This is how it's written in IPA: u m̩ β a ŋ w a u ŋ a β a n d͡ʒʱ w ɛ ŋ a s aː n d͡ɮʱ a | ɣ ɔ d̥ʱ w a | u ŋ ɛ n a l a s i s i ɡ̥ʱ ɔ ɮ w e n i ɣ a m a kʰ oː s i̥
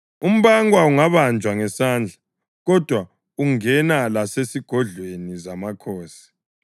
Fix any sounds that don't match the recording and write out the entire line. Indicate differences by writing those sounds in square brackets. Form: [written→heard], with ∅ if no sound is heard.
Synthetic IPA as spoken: u m̩ β a ŋ w a u ŋ a β a n d͡ʒʱ w [ɛ→a] ŋ [a→ɛ] s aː n d͡ɮʱ a | ɣ ɔ d̥ʱ w a | u ŋ ɛ n a l a s [i→e] s i ɡ̥ʱ ɔ ɮ w e n i [ɣ→z] a m a kʰ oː s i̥